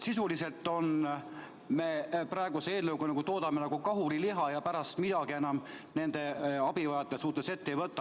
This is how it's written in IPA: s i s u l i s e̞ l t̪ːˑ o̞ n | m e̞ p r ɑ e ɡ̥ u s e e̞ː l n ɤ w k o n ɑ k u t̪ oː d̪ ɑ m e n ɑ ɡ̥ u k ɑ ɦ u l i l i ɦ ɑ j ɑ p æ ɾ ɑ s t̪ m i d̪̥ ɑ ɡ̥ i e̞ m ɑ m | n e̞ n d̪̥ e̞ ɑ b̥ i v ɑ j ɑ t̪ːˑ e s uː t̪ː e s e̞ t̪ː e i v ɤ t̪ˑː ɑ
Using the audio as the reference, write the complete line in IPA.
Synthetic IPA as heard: s i s u l i s e̞ l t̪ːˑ o̞ n | m e̞ p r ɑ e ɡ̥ u s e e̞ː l n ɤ w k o n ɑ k u t̪ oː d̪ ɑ m e n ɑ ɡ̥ u k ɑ ɦ u l i l i ɦ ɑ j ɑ p æ ɾ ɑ s t̪ m i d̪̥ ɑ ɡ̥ i e̞ n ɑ m | n e̞ n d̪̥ e̞ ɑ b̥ i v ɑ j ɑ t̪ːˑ e s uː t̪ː e s e̞ t̪ː e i v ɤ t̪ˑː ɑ